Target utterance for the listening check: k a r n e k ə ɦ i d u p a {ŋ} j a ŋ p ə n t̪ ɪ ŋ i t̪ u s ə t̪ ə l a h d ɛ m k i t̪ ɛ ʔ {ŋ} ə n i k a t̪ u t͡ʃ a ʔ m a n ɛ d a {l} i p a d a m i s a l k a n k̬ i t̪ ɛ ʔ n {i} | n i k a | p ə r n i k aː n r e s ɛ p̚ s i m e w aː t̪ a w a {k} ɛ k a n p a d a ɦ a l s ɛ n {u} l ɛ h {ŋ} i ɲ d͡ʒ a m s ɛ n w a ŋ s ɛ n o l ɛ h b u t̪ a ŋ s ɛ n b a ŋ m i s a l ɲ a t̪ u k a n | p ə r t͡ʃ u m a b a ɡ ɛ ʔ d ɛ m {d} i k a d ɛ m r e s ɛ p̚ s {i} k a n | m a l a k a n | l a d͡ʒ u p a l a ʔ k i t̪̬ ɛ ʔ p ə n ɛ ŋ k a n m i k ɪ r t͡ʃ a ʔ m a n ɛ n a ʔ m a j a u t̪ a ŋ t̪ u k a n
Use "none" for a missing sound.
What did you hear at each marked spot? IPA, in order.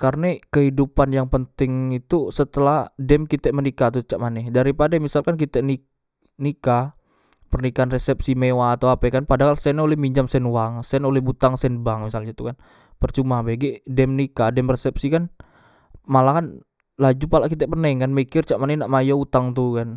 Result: n, m, ɾ, i, p, o, m, n, i

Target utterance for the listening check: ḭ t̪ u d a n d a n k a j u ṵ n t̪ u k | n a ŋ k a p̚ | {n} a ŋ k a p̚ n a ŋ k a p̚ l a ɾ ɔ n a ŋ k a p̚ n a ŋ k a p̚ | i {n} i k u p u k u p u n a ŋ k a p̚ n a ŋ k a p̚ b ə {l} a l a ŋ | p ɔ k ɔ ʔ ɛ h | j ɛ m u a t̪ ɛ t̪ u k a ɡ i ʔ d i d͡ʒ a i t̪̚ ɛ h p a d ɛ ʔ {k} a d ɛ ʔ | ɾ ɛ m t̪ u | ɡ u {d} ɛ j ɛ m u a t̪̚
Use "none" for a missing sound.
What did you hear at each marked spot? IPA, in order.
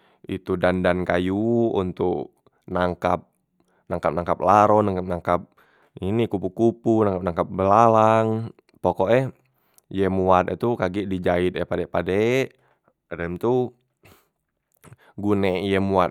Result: n, n, l, p, n

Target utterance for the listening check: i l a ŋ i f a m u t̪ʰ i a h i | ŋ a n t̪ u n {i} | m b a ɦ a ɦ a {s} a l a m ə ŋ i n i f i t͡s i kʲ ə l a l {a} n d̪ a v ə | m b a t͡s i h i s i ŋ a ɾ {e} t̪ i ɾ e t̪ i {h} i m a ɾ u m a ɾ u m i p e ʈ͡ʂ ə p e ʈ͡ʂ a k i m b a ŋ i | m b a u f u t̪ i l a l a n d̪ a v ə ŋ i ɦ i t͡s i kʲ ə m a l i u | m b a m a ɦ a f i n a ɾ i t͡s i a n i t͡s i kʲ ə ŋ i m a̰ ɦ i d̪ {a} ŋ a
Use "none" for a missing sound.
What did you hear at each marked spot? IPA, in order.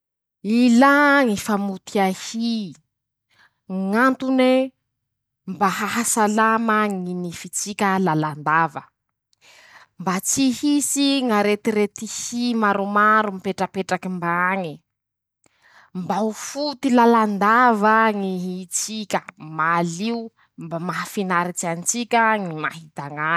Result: e, s, a, e, h, a

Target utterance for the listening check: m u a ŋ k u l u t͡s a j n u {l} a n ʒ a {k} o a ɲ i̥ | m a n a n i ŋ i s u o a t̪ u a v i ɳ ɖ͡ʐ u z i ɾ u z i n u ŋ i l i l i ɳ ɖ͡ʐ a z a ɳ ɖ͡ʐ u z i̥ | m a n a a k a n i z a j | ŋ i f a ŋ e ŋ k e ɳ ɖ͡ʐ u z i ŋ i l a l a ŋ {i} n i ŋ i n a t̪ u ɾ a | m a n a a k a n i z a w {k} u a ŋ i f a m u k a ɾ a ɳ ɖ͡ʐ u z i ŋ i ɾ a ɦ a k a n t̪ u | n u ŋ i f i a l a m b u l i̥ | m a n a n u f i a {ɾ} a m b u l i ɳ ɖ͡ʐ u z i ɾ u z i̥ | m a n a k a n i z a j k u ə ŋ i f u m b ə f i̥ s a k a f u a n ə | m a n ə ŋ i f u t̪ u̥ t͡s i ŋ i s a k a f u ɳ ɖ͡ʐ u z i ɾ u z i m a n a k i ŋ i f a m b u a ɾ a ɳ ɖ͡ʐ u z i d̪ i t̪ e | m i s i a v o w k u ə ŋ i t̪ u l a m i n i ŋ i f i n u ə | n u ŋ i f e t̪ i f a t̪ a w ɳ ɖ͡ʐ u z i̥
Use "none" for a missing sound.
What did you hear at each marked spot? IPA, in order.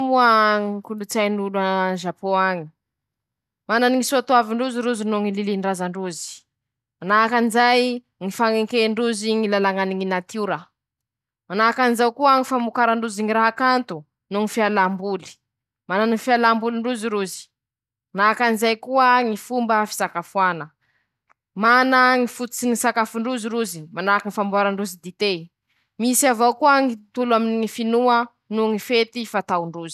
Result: l, p, a, k, l

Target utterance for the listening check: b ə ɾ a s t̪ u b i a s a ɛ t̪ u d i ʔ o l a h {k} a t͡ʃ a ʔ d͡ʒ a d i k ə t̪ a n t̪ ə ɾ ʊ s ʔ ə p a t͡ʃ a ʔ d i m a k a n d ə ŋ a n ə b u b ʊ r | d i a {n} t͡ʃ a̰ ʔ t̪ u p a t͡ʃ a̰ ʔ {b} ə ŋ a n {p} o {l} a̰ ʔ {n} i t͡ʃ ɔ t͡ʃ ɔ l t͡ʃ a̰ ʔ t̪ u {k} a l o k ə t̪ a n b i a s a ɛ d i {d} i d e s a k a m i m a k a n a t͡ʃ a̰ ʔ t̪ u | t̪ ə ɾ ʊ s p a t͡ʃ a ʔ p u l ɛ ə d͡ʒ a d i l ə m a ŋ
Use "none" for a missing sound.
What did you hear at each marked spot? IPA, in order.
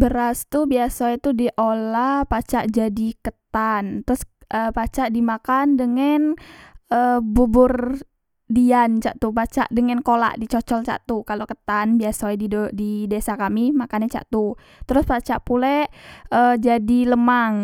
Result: p, n, d, k, l, d, k, d

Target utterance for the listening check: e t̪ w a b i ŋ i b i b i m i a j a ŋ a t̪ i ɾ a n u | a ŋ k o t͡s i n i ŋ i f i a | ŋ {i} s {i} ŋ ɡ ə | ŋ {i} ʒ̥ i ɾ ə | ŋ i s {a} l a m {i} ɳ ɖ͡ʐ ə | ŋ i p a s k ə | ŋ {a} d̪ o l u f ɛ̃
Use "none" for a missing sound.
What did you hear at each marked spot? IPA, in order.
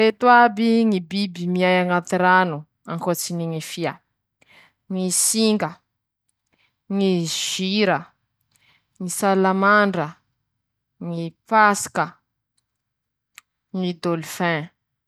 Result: i, i, i, a, a, i

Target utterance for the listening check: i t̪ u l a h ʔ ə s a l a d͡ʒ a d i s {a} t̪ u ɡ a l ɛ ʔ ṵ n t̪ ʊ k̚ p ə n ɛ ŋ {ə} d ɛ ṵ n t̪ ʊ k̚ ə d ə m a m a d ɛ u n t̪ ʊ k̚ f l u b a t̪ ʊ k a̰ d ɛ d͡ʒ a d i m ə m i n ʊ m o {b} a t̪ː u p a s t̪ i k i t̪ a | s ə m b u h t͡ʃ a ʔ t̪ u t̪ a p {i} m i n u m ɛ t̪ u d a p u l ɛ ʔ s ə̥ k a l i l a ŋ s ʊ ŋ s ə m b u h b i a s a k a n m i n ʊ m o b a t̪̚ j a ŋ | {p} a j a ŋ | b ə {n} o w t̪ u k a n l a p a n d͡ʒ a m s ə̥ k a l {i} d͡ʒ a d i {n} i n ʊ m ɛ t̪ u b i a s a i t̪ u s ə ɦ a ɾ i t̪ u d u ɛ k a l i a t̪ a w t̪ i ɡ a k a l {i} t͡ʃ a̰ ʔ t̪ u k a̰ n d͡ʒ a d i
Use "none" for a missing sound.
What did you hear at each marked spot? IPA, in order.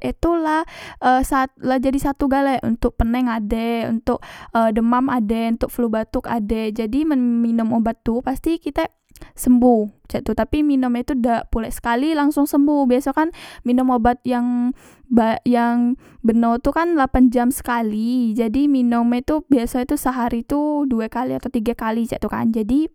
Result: a, a, b, i, b, n, i, m, i

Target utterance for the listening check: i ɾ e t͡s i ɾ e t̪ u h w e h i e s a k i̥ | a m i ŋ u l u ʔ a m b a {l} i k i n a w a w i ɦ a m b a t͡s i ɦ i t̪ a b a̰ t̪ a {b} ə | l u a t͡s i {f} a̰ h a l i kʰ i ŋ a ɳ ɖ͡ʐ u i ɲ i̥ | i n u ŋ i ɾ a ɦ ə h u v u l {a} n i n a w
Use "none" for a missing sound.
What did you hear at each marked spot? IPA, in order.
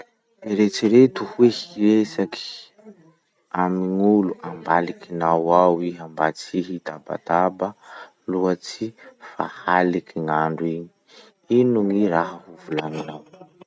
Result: l, b, f, a

